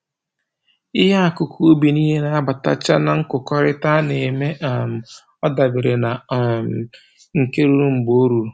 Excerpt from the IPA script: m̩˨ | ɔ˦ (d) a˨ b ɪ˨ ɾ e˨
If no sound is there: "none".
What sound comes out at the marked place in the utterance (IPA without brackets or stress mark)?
d